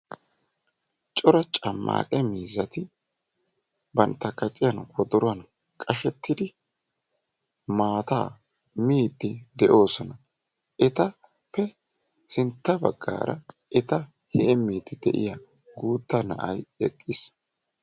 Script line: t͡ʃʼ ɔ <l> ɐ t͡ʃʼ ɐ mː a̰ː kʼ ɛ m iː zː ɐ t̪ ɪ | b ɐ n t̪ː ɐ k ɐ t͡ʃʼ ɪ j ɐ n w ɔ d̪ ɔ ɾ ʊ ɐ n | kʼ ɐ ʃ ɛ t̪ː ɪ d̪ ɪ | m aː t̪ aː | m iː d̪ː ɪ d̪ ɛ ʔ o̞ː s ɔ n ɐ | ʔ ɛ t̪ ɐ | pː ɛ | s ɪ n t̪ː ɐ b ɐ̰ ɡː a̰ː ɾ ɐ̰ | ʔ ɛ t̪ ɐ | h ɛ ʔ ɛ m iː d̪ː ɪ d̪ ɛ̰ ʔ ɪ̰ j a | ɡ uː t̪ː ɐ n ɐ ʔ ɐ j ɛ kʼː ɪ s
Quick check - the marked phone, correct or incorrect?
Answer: incorrect